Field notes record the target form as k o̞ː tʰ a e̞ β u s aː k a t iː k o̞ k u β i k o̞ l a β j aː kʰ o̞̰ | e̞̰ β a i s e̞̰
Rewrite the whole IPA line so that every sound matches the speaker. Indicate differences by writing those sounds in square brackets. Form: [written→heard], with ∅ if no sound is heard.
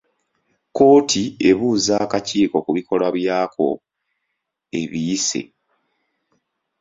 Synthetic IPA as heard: k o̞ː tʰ [a→i] e̞ β u [s→z] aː k a [t→c] iː k o̞ k u β i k o̞ l a β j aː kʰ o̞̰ | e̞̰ β [a→i] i s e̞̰